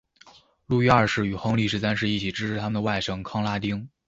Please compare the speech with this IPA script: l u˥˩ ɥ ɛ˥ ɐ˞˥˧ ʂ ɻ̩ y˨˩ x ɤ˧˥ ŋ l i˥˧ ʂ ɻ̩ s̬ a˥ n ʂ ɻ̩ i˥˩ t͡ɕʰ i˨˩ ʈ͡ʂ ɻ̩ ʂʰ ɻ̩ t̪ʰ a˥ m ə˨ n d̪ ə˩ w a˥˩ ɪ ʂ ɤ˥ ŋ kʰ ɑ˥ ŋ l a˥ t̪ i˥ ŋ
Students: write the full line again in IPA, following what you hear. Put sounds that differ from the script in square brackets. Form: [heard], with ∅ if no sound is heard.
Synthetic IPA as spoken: l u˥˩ ɥ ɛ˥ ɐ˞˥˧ ʂ ɻ̩ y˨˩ x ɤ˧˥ ŋ l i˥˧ ʂ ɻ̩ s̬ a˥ n ʂ ɻ̩ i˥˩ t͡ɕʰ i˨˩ ʈ͡ʂ ɻ̩ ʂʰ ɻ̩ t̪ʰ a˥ m ə˨ n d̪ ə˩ w a˥˩ ɪ ʂ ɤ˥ ŋ kʰ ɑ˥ ŋ l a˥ t̪ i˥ ŋ